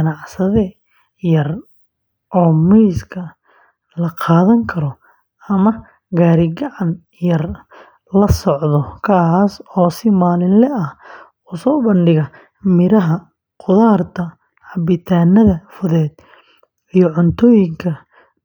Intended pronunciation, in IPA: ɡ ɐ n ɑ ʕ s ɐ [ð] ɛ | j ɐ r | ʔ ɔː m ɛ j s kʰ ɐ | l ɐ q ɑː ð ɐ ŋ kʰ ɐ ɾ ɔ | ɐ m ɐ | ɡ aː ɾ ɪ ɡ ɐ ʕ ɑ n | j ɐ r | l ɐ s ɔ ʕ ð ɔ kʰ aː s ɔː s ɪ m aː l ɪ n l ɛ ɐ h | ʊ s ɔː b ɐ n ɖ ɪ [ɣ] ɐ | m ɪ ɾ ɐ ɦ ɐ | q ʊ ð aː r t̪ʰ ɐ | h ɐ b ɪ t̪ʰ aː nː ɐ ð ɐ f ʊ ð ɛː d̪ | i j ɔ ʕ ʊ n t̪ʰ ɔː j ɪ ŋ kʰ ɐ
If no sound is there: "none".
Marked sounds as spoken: ð, ɣ

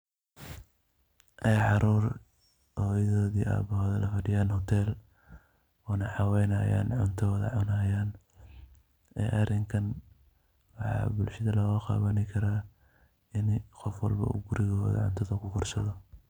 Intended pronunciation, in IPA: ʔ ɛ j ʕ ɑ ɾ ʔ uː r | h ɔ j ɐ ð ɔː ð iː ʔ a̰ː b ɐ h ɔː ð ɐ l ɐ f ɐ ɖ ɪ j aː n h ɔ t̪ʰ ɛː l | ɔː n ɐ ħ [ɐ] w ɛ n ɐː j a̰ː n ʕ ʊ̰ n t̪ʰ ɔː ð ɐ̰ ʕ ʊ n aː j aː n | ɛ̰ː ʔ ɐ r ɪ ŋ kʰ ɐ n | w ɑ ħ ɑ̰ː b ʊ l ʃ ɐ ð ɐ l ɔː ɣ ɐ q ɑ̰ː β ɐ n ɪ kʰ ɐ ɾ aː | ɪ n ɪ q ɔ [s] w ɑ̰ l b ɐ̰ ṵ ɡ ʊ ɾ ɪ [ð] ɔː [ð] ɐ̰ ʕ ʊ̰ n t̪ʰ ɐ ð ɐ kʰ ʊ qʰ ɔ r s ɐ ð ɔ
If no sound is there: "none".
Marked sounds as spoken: ɑ, f, ɣ, ð

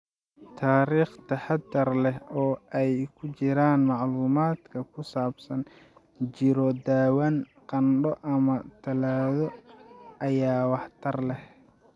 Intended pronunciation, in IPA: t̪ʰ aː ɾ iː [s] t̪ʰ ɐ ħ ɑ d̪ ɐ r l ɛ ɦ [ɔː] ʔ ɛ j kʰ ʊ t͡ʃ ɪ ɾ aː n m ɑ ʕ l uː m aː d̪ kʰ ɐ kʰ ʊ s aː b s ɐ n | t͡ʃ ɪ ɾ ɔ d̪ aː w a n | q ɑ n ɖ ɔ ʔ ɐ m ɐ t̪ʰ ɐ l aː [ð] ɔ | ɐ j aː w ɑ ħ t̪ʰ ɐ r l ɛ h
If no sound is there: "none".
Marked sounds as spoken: χ, ɔː, ð

